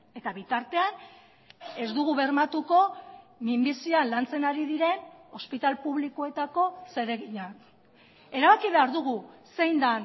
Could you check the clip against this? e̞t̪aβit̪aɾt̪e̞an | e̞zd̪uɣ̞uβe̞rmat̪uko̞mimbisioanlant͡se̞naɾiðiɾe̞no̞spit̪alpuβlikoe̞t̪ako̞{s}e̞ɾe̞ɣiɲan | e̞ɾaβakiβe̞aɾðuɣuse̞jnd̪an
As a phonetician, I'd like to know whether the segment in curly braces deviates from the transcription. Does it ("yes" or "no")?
no